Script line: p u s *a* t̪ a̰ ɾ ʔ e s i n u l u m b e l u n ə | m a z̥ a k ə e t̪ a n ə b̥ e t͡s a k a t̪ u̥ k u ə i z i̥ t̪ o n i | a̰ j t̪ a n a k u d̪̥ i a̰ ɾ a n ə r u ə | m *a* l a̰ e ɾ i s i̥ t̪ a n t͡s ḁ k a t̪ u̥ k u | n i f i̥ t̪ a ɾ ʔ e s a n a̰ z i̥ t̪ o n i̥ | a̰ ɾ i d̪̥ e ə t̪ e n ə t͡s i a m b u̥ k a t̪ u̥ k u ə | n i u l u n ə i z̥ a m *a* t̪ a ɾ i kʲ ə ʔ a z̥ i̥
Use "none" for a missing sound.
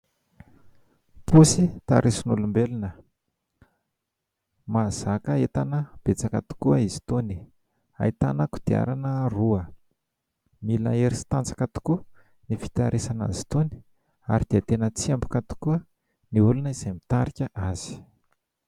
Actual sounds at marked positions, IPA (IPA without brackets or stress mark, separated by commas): i, i, i